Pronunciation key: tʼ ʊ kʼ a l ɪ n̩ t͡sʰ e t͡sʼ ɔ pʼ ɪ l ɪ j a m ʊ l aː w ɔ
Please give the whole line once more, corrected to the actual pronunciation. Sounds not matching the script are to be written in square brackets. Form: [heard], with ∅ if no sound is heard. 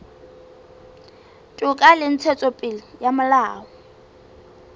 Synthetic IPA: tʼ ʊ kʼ a l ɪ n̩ t͡sʰ [ɛ] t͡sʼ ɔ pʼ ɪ l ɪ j a m ʊ l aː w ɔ